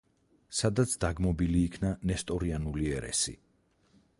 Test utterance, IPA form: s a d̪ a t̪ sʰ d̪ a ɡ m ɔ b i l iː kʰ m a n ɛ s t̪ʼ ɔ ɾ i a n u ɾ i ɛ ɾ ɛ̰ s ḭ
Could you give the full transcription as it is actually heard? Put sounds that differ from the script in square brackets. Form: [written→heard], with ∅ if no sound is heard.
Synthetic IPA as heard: s a d̪ a t̪ sʰ d̪ a ɡ m ɔ b i l iː kʰ [m→n] a n ɛ s t̪ʼ ɔ ɾ i a n u [ɾ→l] i ɛ ɾ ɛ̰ s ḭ